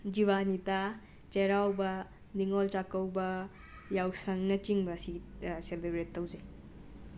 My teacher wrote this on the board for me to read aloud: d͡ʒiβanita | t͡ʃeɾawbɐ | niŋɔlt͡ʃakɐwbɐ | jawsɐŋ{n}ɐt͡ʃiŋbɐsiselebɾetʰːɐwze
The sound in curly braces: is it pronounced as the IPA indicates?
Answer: yes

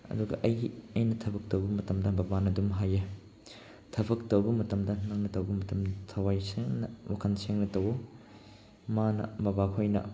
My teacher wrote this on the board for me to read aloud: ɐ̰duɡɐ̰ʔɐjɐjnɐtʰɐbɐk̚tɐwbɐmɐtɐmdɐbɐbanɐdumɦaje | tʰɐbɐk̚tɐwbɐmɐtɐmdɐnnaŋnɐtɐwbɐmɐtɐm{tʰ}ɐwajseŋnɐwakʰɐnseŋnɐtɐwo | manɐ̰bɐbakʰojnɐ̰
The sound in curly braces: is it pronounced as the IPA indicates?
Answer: yes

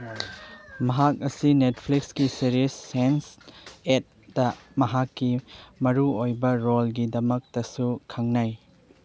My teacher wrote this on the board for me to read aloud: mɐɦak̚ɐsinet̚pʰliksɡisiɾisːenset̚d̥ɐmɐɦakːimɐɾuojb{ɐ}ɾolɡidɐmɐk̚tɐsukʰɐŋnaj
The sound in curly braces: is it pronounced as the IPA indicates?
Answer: yes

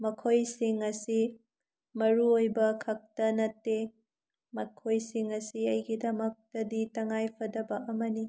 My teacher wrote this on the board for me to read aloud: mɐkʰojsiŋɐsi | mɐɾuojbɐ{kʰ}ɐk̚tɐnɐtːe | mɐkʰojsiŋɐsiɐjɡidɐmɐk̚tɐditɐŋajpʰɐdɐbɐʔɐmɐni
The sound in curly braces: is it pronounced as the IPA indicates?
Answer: yes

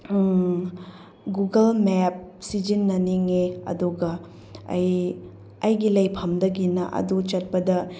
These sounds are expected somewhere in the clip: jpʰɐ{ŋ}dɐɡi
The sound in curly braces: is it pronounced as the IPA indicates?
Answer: no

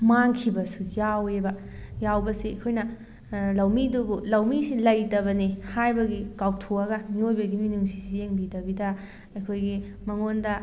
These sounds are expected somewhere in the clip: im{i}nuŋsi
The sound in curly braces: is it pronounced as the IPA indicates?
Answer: yes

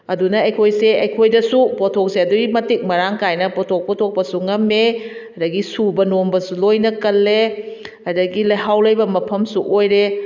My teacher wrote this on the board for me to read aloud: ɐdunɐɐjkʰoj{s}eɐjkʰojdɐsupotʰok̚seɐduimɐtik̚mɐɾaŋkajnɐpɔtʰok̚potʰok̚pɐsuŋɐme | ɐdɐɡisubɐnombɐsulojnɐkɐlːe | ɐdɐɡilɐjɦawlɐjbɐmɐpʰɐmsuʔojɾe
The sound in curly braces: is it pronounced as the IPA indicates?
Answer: yes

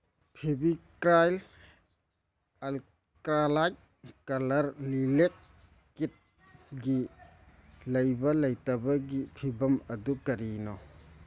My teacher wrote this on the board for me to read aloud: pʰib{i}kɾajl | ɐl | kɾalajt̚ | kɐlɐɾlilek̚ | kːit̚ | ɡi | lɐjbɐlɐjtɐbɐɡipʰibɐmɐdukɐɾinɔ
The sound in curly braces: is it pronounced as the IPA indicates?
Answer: yes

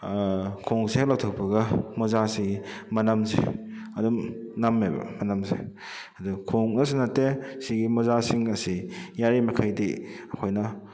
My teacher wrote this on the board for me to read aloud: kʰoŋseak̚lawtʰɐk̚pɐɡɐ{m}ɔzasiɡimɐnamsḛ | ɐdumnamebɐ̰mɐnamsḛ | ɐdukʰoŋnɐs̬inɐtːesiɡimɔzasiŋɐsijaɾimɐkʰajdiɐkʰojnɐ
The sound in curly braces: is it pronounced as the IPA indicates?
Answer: yes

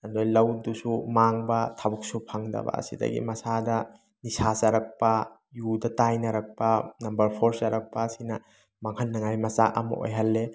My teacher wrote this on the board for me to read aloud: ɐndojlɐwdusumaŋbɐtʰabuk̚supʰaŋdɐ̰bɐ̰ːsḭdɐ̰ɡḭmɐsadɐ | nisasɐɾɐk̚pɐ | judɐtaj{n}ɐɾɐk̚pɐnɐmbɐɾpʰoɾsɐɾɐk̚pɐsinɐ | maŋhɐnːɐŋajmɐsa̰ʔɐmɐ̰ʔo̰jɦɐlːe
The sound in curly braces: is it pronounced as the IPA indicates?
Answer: yes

